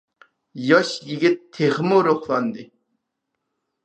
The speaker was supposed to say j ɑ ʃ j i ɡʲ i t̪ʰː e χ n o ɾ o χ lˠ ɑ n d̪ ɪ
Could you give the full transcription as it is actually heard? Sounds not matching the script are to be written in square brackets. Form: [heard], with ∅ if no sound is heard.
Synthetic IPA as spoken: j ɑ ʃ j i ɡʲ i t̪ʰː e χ [m] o ɾ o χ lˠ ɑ n d̪ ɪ